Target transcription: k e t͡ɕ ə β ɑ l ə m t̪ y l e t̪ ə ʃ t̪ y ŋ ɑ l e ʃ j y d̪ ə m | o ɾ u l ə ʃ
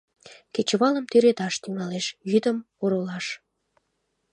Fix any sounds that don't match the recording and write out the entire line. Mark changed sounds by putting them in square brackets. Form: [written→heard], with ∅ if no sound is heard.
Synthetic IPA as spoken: k e t͡ɕ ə β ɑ l ə m t̪ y [l→ɾ] e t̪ [ə→ɑ] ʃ t̪ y ŋ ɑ l e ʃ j y d̪ ə m | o ɾ [u→o] l [ə→ɑ] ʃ